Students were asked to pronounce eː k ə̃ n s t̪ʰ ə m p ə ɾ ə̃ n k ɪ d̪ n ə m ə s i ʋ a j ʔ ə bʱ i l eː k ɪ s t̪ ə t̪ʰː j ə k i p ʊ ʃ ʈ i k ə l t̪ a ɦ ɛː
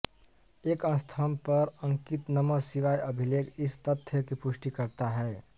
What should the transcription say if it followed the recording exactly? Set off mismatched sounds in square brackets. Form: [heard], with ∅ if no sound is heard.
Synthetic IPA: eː k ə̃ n s t̪ʰ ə m p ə ɾ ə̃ [ŋ] k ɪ [t̪] n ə m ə s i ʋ a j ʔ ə bʱ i l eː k ɪ s t̪ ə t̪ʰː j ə k i p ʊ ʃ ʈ i k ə [ɾ] t̪ a ɦ ɛː

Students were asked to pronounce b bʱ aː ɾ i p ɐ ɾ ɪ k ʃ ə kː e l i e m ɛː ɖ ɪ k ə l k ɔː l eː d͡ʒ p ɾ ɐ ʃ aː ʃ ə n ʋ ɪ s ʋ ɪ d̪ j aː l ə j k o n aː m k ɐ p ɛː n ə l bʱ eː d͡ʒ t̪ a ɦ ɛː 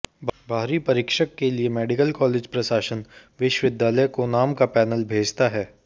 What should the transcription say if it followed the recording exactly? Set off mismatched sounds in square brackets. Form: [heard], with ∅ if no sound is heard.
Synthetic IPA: b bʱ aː ɾ i p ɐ ɾ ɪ k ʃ ə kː e l i e m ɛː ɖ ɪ k ə l k ɔː l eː d͡ʒ p ɾ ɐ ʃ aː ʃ ə n ʋ ɪ [ʃ] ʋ ɪ d̪ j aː l ə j k o n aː m k [a] p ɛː n ə l bʱ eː d͡ʒ t̪ a ɦ ɛː

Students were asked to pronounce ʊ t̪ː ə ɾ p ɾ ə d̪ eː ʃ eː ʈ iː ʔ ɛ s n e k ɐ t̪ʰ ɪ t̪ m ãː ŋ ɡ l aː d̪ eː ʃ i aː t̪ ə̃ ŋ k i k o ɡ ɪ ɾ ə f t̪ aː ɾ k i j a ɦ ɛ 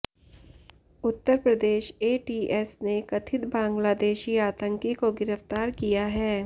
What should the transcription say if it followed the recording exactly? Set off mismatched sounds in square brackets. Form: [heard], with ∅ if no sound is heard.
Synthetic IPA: ʊ t̪ː ə ɾ p ɾ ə d̪ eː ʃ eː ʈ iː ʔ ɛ s n e k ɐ t̪ʰ ɪ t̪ [b] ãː ŋ ɡ l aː d̪ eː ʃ i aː t̪ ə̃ ŋ k i k o ɡ ɪ ɾ ə f t̪ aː ɾ k i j a ɦ [ɛː]

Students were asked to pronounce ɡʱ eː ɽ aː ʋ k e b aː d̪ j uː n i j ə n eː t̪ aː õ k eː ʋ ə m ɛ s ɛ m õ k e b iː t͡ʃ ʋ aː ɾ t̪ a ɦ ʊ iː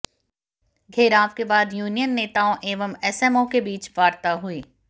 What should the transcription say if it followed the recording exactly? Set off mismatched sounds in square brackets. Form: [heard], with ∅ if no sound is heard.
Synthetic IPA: ɡʱ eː [ɾ] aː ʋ k e b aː d̪ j uː n i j ə [nː] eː t̪ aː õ [ʔ] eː ʋ ə m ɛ s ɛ m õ k e b iː t͡ʃ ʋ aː ɾ t̪ a ɦ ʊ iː

